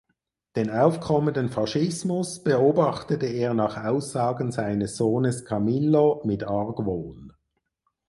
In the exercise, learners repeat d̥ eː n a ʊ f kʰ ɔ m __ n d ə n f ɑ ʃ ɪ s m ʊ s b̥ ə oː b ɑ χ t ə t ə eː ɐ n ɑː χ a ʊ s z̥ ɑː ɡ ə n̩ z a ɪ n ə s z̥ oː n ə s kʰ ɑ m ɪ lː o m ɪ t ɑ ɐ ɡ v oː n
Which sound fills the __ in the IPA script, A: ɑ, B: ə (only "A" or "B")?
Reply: B